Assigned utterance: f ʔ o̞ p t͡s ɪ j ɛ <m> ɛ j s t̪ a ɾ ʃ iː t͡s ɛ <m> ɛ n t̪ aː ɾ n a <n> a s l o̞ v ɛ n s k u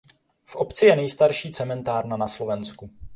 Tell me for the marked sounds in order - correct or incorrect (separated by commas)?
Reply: incorrect, correct, correct